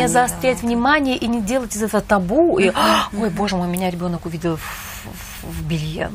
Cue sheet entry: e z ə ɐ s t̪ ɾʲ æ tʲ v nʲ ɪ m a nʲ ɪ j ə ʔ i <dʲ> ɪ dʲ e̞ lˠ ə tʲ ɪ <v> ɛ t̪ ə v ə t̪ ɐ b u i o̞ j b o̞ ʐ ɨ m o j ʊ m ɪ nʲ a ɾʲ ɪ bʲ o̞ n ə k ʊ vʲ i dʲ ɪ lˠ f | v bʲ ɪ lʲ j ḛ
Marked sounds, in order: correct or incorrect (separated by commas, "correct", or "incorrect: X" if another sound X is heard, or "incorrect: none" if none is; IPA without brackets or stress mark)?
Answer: incorrect: nʲ, incorrect: z